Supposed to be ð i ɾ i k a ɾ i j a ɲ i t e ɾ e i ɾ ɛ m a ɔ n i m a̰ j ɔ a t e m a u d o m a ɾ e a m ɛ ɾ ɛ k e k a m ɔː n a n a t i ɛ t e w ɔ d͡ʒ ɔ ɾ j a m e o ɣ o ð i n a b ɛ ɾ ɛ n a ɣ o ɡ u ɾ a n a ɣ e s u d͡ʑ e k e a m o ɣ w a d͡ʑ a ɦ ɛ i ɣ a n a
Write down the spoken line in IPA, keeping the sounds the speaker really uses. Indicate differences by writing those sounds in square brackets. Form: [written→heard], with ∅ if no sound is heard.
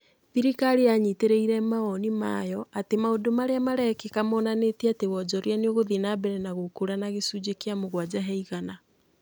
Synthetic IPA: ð i ɾ i k a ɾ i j a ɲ i t e ɾ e i ɾ ɛ m a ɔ n i m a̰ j ɔ a t e m a [u→o] d o m a ɾ e a m [ɛ→a] ɾ ɛ k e k a m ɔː n a n [a→e] t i [ɛ→a] t e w ɔ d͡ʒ ɔ ɾ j a [m→n] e o ɣ o ð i n a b ɛ ɾ ɛ n a ɣ o [ɡ→k] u ɾ a n a ɣ e s u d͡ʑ e k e a m o ɣ w a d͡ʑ a ɦ ɛ i ɣ a n a